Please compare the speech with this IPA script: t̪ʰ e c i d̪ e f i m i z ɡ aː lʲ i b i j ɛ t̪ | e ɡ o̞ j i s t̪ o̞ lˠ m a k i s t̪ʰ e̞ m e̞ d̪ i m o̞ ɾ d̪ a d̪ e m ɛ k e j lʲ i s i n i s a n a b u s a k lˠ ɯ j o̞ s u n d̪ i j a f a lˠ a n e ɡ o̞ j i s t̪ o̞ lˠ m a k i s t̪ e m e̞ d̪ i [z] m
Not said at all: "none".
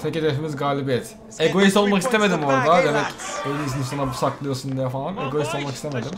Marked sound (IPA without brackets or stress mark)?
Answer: none